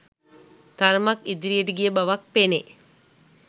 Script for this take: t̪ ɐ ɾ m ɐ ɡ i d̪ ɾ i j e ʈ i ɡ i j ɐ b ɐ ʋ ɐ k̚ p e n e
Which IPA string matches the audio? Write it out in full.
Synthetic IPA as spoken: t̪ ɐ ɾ m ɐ k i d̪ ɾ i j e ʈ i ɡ i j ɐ b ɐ ʋ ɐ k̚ p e n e